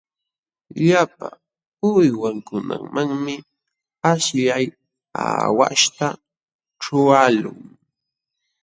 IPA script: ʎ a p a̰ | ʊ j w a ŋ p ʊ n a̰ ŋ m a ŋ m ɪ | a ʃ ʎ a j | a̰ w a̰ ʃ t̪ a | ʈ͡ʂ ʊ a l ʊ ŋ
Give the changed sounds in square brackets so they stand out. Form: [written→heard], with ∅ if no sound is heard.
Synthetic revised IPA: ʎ a p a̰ | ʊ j w a ŋ [p→k] ʊ n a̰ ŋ m a ŋ m ɪ | a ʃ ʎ a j | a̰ w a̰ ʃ t̪ a | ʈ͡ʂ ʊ a l ʊ ŋ